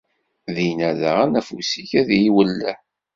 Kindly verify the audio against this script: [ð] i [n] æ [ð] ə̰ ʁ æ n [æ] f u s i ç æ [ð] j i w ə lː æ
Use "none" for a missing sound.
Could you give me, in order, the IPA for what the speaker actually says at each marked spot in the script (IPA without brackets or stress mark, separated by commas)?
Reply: ð, n, ð, æ, ð